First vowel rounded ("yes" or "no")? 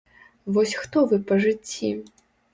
yes